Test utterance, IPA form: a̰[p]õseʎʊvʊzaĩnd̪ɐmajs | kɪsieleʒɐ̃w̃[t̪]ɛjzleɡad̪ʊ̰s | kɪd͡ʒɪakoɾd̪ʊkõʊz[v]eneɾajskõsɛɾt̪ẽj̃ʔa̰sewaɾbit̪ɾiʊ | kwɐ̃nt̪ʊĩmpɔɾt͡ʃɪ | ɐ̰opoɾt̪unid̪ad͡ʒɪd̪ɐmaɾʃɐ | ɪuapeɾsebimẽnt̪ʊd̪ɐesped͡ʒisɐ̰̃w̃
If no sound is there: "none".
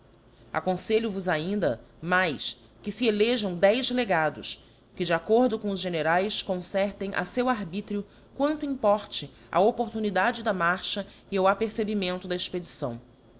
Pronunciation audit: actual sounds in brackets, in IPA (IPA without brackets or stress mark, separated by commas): k, d̪, ʒ